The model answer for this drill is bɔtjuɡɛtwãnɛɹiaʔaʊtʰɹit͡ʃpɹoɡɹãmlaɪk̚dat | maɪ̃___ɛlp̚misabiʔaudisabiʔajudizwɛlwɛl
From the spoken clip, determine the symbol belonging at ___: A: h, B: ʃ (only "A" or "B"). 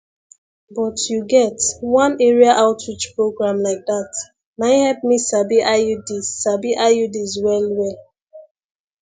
A